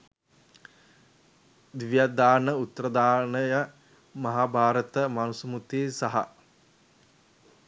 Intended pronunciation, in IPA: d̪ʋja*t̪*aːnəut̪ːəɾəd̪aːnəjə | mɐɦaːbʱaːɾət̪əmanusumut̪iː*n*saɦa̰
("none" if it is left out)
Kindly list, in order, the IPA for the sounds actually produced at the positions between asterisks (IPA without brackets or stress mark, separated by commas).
d̪, none